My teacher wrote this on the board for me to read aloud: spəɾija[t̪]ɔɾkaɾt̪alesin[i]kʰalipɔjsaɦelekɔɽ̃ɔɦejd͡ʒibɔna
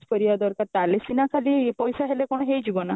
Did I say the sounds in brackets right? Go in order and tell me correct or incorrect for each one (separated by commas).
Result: incorrect, incorrect